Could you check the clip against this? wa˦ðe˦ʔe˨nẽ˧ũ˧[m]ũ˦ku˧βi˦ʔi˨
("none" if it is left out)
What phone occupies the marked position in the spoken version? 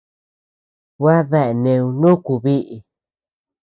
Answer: n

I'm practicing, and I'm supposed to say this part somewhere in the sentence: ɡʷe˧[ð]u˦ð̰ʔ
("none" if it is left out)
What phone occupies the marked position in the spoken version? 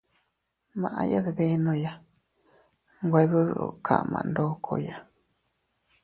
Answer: ð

